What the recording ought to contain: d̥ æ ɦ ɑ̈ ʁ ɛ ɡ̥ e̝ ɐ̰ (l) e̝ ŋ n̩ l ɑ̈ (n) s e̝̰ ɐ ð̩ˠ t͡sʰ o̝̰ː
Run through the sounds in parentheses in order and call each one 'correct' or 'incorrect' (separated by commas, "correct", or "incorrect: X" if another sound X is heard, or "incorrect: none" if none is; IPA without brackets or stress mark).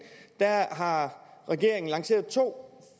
incorrect: none, incorrect: ŋ